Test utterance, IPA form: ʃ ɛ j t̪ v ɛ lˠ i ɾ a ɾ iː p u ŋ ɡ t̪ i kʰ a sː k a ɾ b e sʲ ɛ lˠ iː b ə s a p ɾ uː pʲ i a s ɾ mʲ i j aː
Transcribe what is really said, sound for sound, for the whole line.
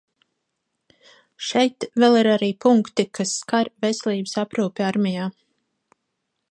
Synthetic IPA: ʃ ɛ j t̪ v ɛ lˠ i ɾ a ɾ iː p u ŋ k t̪ i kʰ a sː k a ɾ v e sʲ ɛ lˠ iː b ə s a p ɾ uː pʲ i a ɾ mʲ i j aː